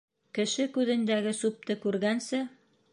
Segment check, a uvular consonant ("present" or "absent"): absent